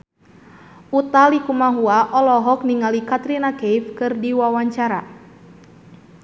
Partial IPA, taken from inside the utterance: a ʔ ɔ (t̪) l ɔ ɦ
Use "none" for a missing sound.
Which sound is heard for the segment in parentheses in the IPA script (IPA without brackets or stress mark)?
none